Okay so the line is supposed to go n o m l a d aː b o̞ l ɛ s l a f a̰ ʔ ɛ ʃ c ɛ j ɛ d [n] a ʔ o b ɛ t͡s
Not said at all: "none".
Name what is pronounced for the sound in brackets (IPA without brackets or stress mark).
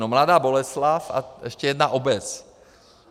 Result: n